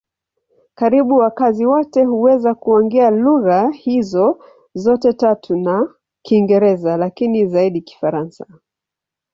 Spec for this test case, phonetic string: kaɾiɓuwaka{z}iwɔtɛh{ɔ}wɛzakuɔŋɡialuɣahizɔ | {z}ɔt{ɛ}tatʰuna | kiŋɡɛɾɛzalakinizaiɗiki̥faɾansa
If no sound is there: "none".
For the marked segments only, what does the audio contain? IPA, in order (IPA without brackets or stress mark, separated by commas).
z, u, z, ɛ